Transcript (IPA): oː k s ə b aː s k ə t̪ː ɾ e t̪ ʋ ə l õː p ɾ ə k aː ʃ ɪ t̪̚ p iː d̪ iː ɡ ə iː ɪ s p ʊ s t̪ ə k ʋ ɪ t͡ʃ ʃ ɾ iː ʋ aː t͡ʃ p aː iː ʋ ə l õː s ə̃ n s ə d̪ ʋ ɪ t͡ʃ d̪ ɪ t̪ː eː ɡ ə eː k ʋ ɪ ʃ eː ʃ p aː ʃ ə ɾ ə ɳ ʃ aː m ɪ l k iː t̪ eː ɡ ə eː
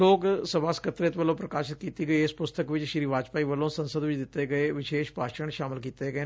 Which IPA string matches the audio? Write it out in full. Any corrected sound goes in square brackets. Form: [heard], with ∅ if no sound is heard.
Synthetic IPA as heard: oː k s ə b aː s k ə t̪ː ɾ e t̪ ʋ ə l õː p ɾ ə k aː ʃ ɪ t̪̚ [k] iː [t̪] iː ɡ ə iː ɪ s p ʊ s t̪ ə k ʋ ɪ t͡ʃ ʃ ɾ iː ʋ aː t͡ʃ p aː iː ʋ ə l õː s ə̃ n s ə d̪ ʋ ɪ t͡ʃ d̪ ɪ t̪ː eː ɡ ə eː [∅] ʋ ɪ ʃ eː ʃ p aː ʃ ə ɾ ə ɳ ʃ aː m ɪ l k iː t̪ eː ɡ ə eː